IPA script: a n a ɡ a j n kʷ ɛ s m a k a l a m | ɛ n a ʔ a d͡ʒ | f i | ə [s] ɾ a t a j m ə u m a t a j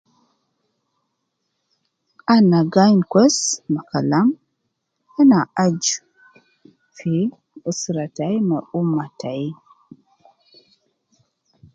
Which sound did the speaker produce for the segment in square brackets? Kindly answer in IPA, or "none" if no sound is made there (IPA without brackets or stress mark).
s